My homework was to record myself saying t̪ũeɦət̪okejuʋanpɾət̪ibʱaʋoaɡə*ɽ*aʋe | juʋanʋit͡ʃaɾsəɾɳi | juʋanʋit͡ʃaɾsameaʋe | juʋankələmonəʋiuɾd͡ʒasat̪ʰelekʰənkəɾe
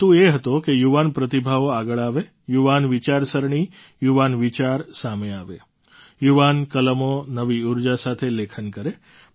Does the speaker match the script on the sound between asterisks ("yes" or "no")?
no